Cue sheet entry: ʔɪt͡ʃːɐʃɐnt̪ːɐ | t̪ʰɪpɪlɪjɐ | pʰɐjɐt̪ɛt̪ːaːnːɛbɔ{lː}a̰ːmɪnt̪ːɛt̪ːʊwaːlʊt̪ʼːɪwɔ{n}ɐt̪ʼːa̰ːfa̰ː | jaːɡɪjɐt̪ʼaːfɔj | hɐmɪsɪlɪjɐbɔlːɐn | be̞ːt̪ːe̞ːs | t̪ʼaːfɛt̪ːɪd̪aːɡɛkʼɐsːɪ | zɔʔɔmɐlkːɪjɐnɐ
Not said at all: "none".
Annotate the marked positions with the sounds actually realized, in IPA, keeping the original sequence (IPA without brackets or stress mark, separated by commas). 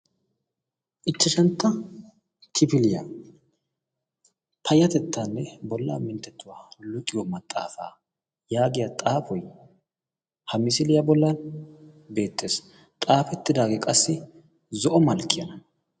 lː, m